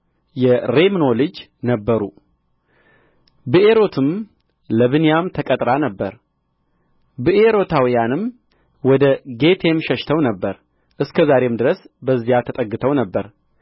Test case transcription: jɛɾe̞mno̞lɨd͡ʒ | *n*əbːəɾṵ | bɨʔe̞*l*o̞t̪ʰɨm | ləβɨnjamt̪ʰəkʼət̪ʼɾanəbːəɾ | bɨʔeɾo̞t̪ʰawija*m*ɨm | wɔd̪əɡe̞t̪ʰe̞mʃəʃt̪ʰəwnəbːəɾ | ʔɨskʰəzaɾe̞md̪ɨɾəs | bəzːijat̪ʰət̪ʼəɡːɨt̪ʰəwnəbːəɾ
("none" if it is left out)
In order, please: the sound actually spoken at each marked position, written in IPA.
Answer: n, ɾ, n

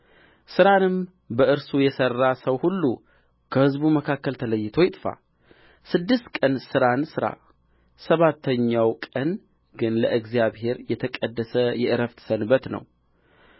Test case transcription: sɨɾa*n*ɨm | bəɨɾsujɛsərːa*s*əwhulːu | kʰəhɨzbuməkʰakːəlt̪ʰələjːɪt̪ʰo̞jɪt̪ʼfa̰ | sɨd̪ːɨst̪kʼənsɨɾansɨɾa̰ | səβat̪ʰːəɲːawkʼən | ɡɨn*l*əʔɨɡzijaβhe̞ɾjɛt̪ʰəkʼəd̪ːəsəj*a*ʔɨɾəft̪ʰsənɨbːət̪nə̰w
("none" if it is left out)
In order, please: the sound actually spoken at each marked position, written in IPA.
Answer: n, s, l, ɛ

